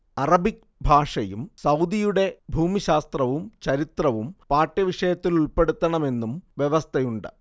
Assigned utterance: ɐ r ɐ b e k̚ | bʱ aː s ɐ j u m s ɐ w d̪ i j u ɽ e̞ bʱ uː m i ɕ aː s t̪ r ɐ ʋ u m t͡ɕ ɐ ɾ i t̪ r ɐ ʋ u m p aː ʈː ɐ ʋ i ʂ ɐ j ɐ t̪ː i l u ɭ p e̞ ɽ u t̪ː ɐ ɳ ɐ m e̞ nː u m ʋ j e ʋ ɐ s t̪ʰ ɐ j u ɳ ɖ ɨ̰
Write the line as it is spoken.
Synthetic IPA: ɐ r ɐ b i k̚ | bʱ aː ʂ ɐ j u m s ɐ w d̪ i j u ɽ e̞ bʱ uː m i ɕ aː s t̪ r ɐ ʋ u m t͡ɕ ɐ ɾ i t̪ r ɐ ʋ u m p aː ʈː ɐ ʋ i ʂ ɐ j ɐ t̪ː i l u ɭ p e̞ ɽ u t̪ː ɐ ɳ ɐ m e̞ nː u m ʋ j e ʋ ɐ s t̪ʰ ɐ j u ɳ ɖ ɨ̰